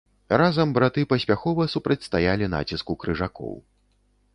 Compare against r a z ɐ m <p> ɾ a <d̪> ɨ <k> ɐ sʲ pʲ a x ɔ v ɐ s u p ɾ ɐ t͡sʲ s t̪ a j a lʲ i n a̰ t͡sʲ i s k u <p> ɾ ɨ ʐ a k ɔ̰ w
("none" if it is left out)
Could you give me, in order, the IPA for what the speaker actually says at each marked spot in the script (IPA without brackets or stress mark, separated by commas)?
b, t̪, p, k